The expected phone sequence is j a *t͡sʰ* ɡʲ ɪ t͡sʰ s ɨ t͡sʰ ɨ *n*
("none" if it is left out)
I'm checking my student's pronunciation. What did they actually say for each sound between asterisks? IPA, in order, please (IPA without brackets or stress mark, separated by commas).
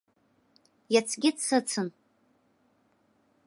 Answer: t͡sʰ, n